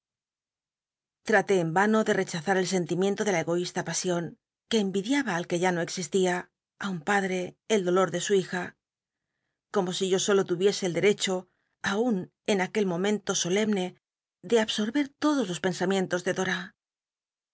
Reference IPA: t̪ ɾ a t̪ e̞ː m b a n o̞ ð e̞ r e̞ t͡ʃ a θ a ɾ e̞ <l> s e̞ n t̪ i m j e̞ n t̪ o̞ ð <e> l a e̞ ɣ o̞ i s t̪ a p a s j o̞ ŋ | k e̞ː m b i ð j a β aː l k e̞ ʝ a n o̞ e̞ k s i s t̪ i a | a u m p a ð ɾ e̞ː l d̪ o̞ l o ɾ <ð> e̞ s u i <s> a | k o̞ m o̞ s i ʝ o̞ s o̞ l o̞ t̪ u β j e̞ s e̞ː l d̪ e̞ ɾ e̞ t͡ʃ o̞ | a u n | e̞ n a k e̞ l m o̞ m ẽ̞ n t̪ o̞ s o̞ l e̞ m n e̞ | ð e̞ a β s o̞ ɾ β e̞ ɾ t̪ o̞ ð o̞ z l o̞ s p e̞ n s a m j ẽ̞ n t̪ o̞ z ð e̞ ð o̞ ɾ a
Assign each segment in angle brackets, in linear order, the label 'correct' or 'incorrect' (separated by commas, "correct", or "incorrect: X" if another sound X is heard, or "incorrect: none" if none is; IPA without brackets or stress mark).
correct, correct, correct, incorrect: x